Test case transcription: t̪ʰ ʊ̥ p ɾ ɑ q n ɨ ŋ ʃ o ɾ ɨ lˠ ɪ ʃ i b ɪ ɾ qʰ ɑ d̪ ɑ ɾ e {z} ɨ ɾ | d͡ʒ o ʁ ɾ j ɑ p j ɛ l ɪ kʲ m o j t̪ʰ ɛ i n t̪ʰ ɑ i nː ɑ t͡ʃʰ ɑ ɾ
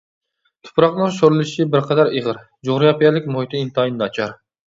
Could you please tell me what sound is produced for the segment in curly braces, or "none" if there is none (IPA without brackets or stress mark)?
ʁ